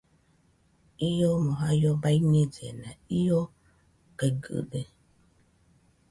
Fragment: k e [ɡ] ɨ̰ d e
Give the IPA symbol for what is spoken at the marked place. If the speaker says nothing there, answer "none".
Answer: ɡ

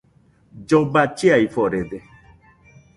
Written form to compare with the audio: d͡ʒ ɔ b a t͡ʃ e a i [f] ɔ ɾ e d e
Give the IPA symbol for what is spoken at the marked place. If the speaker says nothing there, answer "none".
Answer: f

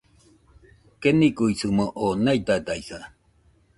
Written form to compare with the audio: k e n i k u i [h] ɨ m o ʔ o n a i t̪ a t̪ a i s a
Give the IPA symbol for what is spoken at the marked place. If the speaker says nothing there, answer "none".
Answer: s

